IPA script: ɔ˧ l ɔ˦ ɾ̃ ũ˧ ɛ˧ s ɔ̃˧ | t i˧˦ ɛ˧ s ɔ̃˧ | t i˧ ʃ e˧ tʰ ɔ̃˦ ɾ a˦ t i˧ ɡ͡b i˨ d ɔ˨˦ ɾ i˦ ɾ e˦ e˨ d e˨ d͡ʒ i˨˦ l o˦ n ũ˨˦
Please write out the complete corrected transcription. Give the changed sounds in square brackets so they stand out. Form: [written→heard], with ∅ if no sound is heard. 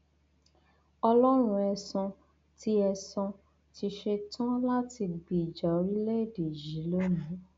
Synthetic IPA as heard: ɔ˧ l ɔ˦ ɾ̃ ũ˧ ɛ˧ s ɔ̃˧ | t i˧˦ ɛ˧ s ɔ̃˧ | t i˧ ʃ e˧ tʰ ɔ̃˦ [ɾ→l] a˦ t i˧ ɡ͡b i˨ [d→d͡ʒ] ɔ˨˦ ɾ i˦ [ɾ→l] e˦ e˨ d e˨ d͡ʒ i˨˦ l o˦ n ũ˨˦

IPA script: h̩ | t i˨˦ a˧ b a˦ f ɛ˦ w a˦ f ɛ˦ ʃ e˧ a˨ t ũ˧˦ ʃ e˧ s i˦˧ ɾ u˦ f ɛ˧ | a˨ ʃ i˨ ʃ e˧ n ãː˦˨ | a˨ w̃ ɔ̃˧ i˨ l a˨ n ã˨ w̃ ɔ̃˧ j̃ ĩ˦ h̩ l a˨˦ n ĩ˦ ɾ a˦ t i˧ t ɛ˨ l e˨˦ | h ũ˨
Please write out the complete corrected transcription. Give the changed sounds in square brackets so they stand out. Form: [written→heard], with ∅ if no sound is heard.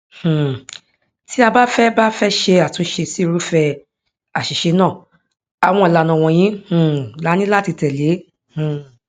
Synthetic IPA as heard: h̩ | t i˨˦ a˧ b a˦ f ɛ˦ [w→b] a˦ f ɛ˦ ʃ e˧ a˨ t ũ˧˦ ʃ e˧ s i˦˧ ɾ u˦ f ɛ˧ | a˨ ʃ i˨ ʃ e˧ n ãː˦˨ | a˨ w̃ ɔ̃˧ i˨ l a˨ n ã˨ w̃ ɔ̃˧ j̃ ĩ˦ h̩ l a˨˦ n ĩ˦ [ɾ→l] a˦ t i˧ t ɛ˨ l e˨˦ | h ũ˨

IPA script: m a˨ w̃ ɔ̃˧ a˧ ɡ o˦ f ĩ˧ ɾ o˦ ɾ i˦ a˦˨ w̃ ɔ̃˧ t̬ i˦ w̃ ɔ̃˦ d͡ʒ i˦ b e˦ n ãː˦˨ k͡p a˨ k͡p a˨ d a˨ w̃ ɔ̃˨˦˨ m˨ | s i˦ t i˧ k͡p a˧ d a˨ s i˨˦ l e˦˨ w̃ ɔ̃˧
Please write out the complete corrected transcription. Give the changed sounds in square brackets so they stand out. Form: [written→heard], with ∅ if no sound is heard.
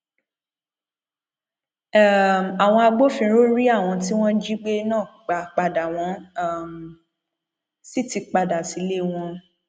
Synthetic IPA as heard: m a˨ w̃ ɔ̃˧ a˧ [ɡ→ɡ͡b] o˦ f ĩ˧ ɾ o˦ ɾ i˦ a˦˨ w̃ ɔ̃˧ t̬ i˦ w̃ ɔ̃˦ d͡ʒ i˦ [b→ɡ͡b] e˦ n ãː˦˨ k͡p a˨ k͡p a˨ d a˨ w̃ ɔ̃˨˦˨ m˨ | s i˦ t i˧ k͡p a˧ d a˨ s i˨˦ l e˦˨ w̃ ɔ̃˧

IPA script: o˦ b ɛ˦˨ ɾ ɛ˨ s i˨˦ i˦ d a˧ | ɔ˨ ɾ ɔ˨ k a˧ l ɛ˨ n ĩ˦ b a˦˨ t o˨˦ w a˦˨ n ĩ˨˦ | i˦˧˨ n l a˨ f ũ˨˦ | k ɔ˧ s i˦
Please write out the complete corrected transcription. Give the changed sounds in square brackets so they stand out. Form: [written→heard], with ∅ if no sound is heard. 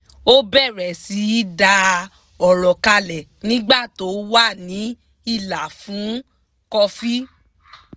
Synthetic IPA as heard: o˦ b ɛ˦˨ ɾ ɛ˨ s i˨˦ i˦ d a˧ | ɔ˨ ɾ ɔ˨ k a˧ l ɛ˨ n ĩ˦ [b→ɡ͡b] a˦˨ t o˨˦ w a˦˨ n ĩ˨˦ | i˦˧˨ [n→∅] l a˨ f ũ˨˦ | k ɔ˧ [s→f] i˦

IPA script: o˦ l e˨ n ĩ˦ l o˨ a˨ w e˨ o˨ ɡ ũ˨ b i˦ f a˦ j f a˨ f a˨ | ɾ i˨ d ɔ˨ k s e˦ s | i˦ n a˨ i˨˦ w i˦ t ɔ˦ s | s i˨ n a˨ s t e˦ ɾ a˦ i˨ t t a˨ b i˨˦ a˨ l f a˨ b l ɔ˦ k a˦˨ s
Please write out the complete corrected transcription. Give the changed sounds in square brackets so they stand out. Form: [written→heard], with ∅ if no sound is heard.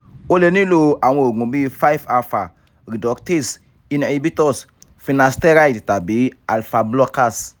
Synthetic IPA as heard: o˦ l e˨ n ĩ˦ l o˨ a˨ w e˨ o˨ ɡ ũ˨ b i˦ f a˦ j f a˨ f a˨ | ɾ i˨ d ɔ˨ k [s→t] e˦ s | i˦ n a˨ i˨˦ [w→b] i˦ t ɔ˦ s | [s→f] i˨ n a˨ s t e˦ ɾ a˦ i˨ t t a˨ b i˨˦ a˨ l f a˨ b l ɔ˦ k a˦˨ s

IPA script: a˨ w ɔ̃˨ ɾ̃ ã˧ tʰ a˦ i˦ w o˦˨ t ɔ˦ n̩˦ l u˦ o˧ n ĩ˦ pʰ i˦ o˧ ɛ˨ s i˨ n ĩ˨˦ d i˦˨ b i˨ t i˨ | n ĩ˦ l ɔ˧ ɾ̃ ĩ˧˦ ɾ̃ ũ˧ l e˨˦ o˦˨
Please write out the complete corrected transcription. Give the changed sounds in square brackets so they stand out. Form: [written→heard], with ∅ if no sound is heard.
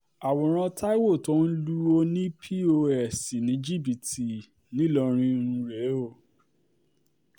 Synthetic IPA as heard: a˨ w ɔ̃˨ ɾ̃ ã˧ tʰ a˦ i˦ w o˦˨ t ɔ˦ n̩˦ l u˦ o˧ n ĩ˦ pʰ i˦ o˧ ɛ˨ s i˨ n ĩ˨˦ [d→d͡ʒ] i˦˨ b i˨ t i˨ | n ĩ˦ l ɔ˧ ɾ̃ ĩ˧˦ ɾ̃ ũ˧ [l→ɾ] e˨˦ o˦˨

